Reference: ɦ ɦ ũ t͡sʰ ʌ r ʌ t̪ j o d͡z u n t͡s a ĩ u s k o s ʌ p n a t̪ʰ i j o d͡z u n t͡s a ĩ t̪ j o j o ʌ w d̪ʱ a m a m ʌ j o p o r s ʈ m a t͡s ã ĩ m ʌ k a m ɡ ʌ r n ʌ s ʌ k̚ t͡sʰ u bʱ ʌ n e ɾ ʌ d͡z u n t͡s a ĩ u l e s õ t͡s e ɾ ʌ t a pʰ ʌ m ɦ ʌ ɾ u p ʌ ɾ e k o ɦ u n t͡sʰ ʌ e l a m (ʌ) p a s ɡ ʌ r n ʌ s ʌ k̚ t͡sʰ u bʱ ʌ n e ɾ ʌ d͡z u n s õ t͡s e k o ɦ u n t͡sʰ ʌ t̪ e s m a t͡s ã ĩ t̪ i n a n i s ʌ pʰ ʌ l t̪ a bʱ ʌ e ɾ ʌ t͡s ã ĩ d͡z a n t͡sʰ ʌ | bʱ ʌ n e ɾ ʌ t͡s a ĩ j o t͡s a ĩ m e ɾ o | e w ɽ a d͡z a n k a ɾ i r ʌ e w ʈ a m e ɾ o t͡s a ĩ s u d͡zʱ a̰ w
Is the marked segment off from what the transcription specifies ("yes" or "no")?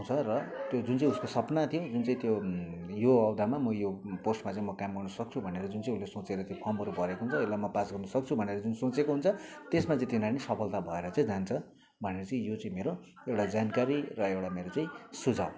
no